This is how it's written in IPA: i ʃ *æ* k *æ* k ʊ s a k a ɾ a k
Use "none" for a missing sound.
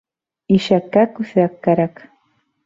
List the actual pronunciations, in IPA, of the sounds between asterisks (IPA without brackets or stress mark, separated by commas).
a, a